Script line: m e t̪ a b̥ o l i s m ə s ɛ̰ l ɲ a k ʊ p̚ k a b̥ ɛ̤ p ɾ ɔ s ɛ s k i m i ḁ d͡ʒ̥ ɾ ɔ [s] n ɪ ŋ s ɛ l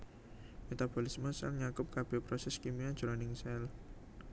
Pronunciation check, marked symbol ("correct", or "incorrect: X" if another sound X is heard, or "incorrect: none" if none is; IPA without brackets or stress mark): incorrect: none